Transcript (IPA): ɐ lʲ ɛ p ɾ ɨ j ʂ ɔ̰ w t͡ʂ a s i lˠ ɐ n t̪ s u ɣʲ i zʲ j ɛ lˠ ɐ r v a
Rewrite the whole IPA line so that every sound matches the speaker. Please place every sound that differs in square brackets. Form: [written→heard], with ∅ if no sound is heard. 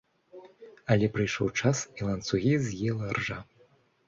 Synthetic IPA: ɐ lʲ ɛ p ɾ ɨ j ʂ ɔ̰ w t͡ʂ a s i lˠ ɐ n t̪ s u ɣʲ i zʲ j ɛ lˠ ɐ r [v→ʐ] a